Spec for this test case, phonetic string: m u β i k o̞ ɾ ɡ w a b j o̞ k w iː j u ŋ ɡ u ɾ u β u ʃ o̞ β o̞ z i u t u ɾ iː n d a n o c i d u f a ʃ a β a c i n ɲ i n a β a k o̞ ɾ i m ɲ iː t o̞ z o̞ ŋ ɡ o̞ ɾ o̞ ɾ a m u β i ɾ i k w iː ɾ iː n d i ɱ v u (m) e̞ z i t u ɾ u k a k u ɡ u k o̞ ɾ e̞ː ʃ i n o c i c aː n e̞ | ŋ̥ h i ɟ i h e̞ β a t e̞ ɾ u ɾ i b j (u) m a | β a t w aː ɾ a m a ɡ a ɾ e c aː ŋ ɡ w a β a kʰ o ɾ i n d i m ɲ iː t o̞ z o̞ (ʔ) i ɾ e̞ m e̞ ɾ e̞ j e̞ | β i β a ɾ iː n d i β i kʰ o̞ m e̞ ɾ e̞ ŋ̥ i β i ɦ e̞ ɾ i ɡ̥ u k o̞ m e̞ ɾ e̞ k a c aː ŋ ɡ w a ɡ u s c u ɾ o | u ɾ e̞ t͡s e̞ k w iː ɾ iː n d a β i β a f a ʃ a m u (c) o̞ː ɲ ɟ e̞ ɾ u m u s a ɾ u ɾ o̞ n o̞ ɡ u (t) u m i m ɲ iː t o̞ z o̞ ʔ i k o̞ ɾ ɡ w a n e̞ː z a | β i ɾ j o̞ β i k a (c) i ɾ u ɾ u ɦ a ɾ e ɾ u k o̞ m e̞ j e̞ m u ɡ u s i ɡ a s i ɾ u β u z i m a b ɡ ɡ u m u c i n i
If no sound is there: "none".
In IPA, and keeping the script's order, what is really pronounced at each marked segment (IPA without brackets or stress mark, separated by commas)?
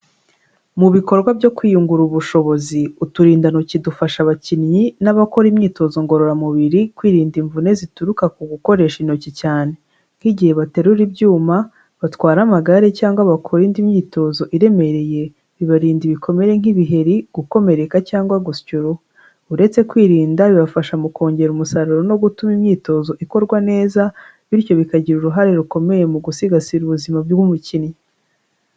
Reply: n, uː, ʔ, k, t, ɟ